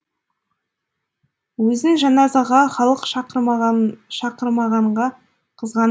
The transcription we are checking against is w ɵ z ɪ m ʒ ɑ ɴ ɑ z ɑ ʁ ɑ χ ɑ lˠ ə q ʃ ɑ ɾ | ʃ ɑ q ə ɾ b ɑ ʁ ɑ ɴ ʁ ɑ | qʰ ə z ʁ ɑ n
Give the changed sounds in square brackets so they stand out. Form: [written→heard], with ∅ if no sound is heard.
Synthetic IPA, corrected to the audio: w ɵ z ɪ [m→ŋ] ʒ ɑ [ɴ→n] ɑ z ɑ ʁ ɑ χ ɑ lˠ ə q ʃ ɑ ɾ | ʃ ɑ q ə ɾ [b→m] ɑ ʁ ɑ ɴ ʁ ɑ | qʰ ə z ʁ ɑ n